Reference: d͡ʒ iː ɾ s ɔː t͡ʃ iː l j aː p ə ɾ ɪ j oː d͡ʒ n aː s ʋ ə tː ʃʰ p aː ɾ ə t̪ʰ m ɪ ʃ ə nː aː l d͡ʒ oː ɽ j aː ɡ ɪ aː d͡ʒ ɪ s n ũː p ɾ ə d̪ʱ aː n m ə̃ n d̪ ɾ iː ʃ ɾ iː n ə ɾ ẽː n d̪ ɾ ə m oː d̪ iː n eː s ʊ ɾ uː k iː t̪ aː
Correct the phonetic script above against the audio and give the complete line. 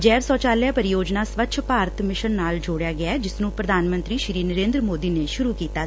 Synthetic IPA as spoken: d͡ʒ ɛː ɾ s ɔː t͡ʃ aː l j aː p ə ɾ ɪ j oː d͡ʒ n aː s ʋ ə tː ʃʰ p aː ɾ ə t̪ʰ m ɪ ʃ ə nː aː l d͡ʒ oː ɽ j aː ɡ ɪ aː d͡ʒ ɪ s n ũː p ɾ ə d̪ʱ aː n m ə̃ n t̪ ɾ iː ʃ ɾ iː n ə ɾ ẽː n d̪ ɾ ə m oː d̪ iː n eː ʃ ʊ ɾ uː k iː t̪ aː

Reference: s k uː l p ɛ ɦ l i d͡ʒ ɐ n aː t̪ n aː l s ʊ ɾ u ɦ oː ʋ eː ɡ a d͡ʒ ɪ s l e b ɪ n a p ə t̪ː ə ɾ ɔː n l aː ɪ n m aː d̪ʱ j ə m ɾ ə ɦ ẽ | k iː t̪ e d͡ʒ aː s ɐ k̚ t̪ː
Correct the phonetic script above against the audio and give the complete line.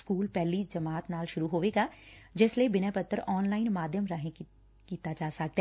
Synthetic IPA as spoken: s k uː l p ɛ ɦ l i d͡ʒ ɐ m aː t̪ n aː l ʃ ʊ ɾ u ɦ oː ʋ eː ɡ a d͡ʒ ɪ s l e b ɪ n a p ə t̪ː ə ɾ ɔː n l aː ɪ n m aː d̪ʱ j ə m ɾ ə ɦ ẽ | k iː t̪ a d͡ʒ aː s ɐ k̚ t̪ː

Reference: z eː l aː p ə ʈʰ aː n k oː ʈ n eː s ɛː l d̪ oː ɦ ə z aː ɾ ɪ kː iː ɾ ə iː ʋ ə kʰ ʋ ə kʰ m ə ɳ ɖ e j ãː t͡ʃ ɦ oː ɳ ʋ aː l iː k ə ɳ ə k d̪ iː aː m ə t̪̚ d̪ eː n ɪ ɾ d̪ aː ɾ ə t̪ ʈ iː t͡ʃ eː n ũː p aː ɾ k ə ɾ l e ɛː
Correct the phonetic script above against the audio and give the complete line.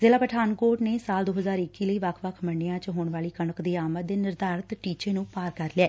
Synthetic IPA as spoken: z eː l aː p ə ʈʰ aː n k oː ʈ n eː s aː l d̪ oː ɦ ə z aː ɾ ɪ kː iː l ə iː ʋ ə kʰ ʋ ə kʰ m ə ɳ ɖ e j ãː t͡ʃ ɦ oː ɳ ʋ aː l iː k ə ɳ ə k d̪ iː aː m ə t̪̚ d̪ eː n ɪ ɾ d̪ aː ɾ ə t̪ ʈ iː t͡ʃ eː n ũː p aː ɾ k ə ɾ l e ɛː

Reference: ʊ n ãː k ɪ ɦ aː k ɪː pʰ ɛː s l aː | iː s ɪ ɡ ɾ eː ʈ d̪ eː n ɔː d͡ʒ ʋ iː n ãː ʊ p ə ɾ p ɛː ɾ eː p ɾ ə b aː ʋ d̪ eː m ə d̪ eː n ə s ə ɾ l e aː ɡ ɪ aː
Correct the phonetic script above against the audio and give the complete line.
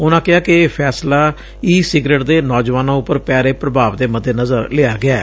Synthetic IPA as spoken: ʊ n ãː k ɪ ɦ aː k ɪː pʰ ɛː s l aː | iː s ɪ ɡ ɾ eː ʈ d̪ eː n ɔː d͡ʒ ʋ aː n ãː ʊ p ə ɾ p ɛː ɾ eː p ɾ ə b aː ʋ d̪ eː m ə d̪ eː n ə z ə ɾ l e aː ɡ ɪ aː

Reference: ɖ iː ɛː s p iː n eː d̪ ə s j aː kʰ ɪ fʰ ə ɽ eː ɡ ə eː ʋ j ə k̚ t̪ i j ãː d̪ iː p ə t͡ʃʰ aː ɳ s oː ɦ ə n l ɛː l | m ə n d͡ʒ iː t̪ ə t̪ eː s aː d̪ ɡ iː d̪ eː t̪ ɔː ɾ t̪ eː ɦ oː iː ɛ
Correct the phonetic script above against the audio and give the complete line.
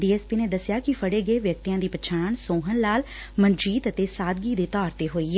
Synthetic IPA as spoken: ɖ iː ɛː s p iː n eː d̪ ə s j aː k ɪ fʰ ə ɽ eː ɡ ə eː ʋ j ə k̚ t̪ i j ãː d̪ iː p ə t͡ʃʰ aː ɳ s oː ɦ ə n l aː l | m ə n d͡ʒ iː t̪ ə t̪ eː s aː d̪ ɡ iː d̪ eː t̪ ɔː ɾ t̪ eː ɦ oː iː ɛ

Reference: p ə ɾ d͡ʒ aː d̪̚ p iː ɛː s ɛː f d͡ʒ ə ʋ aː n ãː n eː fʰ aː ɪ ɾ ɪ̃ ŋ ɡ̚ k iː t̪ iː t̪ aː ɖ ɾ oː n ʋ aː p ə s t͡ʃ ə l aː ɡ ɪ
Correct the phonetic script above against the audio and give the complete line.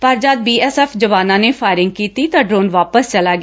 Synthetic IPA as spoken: p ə ɾ d͡ʒ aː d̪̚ b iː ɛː s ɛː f d͡ʒ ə ʋ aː n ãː n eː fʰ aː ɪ ɾ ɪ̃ ŋ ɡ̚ k iː t̪ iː t̪ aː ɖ ɾ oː n ʋ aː p ə s t͡ʃ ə l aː ɡ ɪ

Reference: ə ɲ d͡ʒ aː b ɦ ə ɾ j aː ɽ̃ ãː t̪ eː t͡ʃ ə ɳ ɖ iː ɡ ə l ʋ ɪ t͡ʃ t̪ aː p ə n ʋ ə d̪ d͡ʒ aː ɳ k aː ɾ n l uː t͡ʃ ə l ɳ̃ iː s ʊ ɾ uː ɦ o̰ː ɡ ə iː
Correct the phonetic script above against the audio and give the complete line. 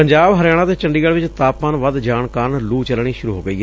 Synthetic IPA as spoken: ə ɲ d͡ʒ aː b ɦ ə ɾ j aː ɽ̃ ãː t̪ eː t͡ʃ ə ɳ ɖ iː ɡ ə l ʋ ɪ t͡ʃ t̪ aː p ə n ʋ ə d̪ d͡ʒ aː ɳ k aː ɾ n l uː t͡ʃ ə l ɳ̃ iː ʃ ʊ ɾ uː ɦ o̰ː ɡ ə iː

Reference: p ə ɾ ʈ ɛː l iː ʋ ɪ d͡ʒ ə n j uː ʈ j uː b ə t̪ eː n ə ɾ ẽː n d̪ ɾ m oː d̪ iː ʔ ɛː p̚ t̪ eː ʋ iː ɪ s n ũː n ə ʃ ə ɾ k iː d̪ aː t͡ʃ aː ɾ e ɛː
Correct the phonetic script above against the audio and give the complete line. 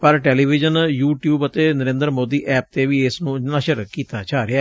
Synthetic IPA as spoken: p ə ɾ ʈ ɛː l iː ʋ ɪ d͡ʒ ə n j uː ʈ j uː b ə t̪ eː n ə ɾ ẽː n d̪ ɾ m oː d̪ iː ʔ ɛː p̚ t̪ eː ʋ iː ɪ s n ũː n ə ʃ ə ɾ k iː t̪ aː t͡ʃ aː ɾ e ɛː

